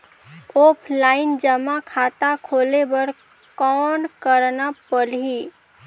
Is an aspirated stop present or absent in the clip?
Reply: present